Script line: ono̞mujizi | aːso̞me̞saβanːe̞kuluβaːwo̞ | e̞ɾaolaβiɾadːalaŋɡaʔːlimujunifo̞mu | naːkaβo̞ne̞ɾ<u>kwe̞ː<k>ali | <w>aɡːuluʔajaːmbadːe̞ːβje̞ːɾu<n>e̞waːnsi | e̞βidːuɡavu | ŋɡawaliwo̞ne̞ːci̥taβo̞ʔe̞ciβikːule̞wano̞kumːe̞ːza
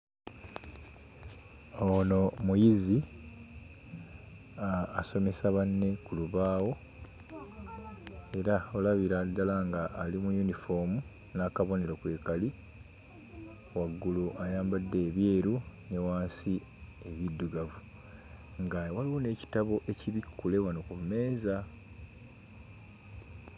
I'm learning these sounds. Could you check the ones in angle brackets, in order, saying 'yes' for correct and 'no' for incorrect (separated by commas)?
no, yes, yes, yes